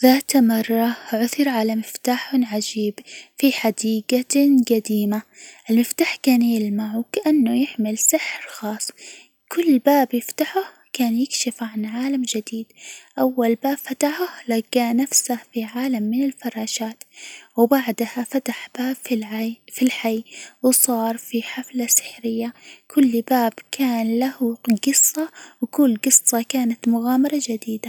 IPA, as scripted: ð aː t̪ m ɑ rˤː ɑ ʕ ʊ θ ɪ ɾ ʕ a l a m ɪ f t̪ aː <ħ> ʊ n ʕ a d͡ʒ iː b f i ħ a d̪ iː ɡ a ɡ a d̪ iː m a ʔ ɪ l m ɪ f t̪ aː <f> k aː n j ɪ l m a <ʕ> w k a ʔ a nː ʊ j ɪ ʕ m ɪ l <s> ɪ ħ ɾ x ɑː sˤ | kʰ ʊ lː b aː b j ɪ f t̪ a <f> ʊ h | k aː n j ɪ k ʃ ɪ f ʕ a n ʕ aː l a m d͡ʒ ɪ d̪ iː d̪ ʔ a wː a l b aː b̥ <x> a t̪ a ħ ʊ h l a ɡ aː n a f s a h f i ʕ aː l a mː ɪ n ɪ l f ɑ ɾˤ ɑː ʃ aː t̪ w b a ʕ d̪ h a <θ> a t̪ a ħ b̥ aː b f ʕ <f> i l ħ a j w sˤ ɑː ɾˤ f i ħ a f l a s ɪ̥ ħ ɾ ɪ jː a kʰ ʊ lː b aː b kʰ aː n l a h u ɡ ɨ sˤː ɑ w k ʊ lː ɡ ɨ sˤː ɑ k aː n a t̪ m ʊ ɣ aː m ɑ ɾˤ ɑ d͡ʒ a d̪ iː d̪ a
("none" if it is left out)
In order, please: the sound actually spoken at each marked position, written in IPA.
ħ, ħ, ʕ, s, ħ, f, f, f

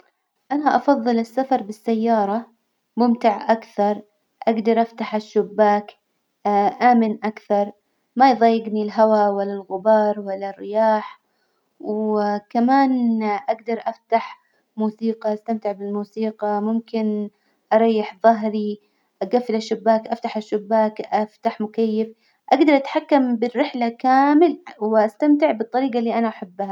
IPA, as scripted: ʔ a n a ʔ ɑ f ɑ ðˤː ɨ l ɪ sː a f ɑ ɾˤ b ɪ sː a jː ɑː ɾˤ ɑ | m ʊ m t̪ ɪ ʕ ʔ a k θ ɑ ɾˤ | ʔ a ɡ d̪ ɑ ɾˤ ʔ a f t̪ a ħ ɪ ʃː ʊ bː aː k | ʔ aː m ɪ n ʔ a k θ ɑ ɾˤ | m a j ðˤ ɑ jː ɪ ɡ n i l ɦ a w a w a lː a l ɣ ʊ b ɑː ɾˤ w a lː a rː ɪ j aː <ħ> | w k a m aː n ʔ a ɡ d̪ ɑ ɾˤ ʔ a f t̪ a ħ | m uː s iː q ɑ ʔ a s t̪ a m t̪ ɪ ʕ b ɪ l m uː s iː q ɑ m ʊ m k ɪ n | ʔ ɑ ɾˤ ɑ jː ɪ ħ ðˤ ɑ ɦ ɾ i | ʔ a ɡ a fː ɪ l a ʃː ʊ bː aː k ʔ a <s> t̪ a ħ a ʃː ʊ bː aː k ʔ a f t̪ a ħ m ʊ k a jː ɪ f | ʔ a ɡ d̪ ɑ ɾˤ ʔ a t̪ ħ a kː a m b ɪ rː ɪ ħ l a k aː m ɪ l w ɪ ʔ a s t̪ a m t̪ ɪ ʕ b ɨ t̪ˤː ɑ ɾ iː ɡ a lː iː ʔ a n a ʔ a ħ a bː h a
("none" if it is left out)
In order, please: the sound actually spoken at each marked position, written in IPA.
ħ, f

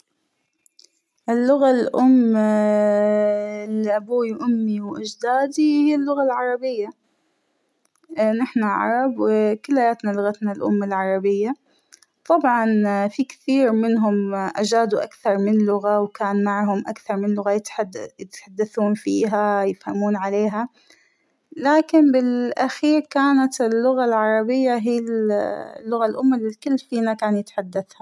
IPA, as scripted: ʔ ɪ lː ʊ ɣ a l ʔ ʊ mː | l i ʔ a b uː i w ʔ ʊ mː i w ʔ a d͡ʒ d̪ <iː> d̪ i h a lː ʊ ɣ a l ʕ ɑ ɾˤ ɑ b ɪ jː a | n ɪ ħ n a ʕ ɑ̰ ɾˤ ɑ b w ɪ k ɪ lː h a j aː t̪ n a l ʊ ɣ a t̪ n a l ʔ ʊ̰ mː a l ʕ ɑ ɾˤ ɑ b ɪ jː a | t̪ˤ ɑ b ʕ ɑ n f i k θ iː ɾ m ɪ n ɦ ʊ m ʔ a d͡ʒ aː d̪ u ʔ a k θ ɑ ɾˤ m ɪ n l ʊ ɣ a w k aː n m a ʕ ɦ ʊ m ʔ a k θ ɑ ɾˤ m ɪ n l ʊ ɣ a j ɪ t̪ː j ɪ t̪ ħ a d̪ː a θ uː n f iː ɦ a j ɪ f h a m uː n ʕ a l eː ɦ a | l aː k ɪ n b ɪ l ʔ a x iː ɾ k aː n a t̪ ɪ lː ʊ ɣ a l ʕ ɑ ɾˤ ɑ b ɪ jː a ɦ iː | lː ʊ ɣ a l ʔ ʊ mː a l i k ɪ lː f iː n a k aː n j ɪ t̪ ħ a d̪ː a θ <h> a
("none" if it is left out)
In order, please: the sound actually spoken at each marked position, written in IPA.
aː, h

